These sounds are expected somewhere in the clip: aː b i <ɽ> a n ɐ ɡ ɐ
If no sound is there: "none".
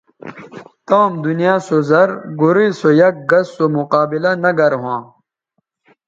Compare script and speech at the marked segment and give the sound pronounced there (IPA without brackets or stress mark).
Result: l